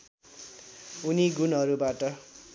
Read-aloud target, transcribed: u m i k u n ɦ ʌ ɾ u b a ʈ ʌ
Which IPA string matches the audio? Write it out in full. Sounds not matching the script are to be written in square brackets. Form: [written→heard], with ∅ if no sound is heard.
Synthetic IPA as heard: u [m→n] i [k→ɡ] u n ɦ ʌ ɾ u b a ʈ ʌ